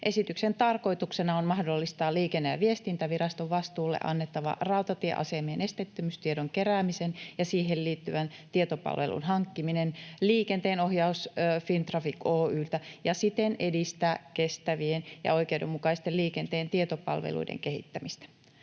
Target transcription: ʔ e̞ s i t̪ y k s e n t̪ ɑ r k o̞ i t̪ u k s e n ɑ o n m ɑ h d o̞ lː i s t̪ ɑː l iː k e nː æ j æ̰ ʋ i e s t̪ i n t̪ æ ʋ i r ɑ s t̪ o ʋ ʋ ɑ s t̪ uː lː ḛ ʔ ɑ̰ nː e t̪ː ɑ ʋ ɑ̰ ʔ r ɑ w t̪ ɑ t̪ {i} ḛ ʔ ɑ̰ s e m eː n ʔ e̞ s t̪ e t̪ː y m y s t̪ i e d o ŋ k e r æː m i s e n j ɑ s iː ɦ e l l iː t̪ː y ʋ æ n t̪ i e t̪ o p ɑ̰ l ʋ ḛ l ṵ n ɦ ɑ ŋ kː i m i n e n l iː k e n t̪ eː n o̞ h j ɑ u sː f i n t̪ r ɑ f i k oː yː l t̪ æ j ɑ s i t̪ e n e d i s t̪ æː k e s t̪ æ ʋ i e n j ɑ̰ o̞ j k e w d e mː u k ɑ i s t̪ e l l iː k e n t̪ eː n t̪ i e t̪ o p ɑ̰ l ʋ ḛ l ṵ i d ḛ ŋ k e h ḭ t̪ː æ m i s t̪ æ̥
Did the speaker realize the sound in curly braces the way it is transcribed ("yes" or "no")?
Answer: yes